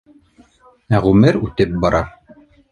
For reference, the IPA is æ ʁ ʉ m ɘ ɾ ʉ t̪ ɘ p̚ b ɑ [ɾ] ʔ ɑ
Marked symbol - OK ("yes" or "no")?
yes